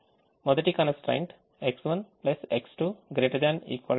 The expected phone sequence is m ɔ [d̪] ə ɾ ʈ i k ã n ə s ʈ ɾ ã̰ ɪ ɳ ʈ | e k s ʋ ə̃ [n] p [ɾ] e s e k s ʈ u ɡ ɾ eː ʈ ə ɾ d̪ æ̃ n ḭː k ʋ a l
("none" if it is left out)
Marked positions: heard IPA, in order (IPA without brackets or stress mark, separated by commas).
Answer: d̪, n, l